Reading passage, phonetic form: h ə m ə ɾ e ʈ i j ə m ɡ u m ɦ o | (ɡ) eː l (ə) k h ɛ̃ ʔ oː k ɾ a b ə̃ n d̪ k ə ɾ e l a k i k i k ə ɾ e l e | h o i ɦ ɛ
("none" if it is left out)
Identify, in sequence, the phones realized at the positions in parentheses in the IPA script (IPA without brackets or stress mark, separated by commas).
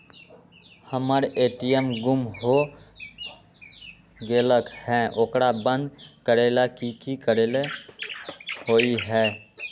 ɡ, ə